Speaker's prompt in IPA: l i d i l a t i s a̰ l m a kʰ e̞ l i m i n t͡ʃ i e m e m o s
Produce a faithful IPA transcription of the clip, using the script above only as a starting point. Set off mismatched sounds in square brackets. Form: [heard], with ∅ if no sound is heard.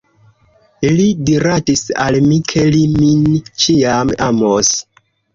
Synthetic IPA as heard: l i d i [ɾ] a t i s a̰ l m [i] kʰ e̞ l i m i n t͡ʃ i [a] m [a] m o s